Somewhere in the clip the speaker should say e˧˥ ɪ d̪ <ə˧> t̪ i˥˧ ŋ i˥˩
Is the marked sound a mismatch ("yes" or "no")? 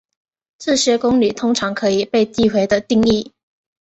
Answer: no